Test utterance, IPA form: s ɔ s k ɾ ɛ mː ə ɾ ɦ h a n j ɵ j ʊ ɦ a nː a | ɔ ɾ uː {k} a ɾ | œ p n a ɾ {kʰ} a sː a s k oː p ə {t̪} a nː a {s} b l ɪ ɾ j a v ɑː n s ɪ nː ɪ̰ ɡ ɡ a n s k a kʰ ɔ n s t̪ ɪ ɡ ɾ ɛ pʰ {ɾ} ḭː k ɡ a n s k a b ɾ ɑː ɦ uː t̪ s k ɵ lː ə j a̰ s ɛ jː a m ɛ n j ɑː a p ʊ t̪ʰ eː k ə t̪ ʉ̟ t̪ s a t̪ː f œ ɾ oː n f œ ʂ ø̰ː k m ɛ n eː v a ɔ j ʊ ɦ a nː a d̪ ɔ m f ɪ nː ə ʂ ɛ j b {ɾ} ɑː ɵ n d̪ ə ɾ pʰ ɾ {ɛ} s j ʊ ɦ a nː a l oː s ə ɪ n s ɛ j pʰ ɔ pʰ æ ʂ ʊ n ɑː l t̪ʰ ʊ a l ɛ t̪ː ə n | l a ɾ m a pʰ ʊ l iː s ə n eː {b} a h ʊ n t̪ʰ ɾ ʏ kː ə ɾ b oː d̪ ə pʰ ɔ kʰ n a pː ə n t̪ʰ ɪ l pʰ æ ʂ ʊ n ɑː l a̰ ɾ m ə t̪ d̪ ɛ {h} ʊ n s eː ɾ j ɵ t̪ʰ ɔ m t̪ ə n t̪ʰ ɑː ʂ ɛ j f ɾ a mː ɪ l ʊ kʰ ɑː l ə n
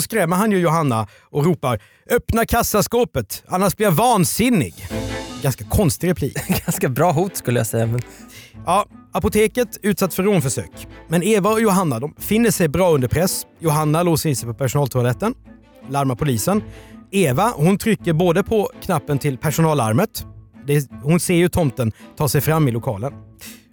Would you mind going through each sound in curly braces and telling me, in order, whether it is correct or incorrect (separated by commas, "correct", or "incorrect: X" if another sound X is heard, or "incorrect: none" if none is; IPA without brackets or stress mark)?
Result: incorrect: p, correct, correct, incorrect: ʂ, incorrect: l, correct, correct, incorrect: v, correct